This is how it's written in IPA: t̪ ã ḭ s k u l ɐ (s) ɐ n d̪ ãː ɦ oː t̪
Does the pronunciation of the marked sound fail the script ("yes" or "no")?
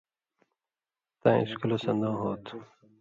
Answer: no